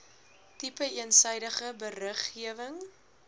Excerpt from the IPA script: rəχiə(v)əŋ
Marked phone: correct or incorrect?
correct